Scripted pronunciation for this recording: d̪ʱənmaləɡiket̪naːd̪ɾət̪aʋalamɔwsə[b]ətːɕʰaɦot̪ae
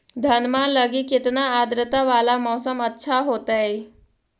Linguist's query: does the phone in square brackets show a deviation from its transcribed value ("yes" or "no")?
yes